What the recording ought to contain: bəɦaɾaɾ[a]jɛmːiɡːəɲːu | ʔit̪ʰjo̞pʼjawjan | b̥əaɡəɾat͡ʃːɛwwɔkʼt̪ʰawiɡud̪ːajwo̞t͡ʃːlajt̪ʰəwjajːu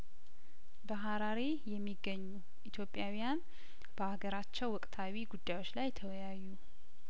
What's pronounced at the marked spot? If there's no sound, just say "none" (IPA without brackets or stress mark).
e